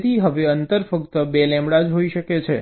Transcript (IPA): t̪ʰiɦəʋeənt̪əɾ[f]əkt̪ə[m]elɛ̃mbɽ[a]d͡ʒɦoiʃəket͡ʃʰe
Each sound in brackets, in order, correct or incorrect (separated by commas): correct, incorrect, correct